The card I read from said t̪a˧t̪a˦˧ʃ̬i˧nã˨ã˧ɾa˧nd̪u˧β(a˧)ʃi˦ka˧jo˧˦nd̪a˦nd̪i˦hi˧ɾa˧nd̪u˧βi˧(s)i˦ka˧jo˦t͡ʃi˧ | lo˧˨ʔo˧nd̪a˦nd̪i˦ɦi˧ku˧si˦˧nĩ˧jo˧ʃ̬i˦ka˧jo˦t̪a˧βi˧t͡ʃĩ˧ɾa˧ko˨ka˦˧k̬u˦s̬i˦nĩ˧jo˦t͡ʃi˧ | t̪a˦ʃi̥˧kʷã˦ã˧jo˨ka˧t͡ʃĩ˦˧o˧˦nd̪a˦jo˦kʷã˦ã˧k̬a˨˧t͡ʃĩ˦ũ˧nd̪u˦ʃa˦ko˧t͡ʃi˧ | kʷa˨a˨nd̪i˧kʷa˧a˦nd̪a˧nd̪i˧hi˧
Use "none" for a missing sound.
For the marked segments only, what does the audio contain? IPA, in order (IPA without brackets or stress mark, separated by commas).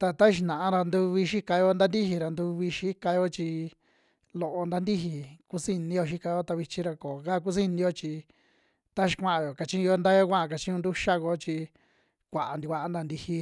i˧, ʃ